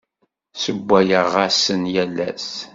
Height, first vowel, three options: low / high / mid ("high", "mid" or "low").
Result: mid